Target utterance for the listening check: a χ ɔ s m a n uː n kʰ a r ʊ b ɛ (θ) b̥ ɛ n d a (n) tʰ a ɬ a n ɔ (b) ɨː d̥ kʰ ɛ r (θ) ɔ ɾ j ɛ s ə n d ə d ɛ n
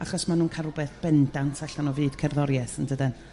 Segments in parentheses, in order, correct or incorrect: correct, correct, incorrect: v, incorrect: ð

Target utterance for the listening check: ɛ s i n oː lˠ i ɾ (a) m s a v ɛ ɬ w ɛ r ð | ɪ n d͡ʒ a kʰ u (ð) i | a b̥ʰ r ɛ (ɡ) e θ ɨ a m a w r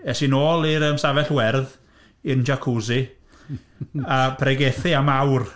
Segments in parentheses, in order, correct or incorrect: incorrect: ə, incorrect: z, correct

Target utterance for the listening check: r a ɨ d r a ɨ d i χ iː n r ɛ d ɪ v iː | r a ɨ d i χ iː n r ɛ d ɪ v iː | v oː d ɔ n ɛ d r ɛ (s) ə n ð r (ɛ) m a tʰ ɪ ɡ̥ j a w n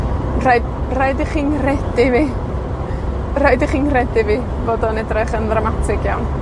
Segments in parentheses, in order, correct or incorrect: incorrect: χ, incorrect: a

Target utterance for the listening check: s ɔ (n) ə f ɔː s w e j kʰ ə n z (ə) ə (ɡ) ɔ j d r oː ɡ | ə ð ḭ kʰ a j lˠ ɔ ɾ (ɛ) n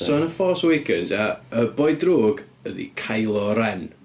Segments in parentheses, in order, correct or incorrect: correct, incorrect: a, incorrect: b, correct

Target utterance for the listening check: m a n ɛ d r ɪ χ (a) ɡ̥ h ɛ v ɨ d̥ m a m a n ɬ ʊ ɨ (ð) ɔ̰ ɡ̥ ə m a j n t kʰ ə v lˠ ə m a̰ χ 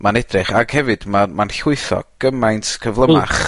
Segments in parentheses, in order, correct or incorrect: correct, incorrect: θ

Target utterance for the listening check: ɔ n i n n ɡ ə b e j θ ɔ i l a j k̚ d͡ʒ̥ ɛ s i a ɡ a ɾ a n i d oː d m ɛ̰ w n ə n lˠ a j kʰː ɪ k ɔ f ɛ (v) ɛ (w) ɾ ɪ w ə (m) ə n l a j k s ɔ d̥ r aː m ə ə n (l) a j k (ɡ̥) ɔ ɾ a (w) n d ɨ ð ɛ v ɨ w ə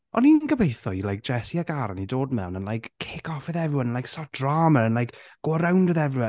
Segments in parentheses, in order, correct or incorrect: incorrect: ð, incorrect: v, incorrect: n, correct, correct, correct

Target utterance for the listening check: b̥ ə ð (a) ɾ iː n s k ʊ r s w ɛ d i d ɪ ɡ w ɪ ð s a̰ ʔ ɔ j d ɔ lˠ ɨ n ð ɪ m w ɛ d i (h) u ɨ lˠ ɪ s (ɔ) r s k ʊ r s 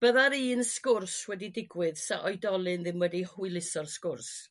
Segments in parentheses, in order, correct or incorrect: correct, correct, correct

